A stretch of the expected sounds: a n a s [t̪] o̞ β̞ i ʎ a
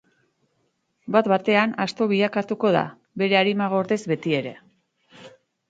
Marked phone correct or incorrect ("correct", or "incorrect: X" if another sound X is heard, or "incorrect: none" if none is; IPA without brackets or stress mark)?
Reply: correct